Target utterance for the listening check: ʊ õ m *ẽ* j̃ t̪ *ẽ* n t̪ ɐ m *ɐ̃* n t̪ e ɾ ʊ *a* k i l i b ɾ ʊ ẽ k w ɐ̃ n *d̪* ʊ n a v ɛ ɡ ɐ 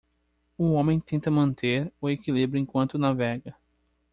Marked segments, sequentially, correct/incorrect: correct, correct, correct, incorrect: e, incorrect: t̪

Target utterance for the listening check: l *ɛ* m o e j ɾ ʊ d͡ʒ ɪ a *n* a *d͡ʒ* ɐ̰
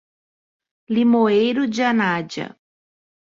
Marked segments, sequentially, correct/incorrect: incorrect: i, correct, correct

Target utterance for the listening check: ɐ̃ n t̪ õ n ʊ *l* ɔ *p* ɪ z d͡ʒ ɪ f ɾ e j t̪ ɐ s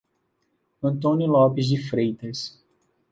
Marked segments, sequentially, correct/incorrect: correct, correct

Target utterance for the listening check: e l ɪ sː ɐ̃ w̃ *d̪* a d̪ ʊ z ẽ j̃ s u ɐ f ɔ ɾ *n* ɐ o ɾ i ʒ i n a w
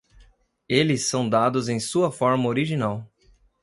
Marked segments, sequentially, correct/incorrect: correct, incorrect: m

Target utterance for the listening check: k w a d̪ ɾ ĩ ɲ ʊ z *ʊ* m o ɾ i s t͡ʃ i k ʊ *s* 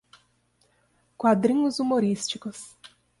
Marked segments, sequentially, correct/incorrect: incorrect: u, correct

